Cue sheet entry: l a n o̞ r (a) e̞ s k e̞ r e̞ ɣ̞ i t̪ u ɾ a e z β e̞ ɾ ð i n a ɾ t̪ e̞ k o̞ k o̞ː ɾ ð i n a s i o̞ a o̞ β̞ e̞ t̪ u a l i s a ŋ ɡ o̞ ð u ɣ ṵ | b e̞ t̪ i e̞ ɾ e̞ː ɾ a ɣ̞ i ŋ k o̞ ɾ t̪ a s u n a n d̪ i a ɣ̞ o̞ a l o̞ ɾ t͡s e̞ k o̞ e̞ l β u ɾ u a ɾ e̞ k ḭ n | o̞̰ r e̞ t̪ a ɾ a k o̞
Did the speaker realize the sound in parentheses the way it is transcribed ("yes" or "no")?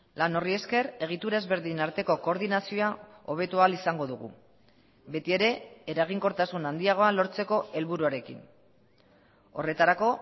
no